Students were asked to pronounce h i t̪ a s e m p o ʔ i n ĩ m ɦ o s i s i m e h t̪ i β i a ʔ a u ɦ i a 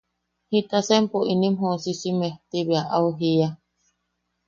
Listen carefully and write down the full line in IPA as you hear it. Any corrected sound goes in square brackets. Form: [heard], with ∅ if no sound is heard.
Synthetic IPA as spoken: h i t̪ a s e m p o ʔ i n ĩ m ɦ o s i s i m e h t̪ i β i a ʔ a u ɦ i a